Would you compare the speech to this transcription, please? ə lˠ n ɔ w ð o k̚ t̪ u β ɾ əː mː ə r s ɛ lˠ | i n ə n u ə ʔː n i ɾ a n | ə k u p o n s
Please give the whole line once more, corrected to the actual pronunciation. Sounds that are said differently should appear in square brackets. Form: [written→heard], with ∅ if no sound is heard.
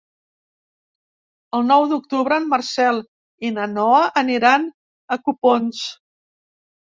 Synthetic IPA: ə lˠ n ɔ w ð [o→u] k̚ t̪ u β ɾ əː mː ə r s ɛ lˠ | i n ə n [u→ɔ] ə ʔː n i ɾ a n | ə k u p o n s